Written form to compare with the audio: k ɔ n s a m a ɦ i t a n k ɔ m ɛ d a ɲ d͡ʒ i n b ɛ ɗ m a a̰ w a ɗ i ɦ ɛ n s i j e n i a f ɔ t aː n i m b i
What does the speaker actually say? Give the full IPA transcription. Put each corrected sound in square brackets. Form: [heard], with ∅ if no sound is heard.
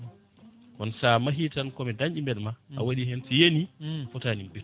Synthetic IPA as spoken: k ɔ n s a m a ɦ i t a n k ɔ m ɛ d a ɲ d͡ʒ i [m] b ɛ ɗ m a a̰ w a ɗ i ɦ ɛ n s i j e n i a f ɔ t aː n i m b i